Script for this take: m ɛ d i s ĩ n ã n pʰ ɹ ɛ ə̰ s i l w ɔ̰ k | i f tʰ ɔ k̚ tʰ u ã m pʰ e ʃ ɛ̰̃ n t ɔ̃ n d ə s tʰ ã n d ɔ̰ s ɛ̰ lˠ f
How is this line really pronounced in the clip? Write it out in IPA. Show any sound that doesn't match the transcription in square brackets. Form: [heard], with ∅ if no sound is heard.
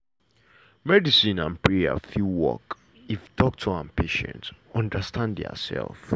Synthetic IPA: m ɛ d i s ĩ n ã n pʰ ɹ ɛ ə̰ [f] i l w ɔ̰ k | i f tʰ ɔ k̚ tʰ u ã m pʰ e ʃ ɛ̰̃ n t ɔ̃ n d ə s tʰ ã n d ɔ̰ s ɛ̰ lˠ f